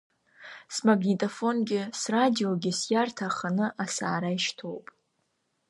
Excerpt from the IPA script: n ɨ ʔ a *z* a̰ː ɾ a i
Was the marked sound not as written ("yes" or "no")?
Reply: yes